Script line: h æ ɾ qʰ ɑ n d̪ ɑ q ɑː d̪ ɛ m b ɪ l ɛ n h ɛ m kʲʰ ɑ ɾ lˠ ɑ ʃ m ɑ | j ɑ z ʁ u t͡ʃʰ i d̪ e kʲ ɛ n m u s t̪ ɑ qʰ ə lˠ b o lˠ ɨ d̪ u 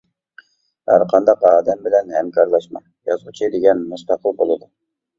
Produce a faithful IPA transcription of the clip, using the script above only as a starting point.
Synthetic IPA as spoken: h æ ɾ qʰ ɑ n d̪ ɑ q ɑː d̪ ɛ m b ɪ l ɛ n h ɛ m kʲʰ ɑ ɾ lˠ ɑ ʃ m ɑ | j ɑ z ʁ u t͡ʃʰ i d̪ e ɡʲ ɛ n m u s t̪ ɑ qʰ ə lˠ b o lˠ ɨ d̪ u